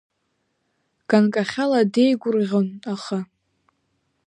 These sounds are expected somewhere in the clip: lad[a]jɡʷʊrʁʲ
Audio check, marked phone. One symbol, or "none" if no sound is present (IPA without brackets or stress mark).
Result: e